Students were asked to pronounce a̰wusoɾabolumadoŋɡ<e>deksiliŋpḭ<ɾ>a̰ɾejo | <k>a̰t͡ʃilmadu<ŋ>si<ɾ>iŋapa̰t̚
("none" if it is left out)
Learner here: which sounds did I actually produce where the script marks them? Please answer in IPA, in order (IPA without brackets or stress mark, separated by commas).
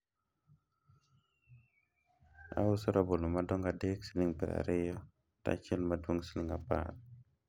a, ɾ, t, ŋ, l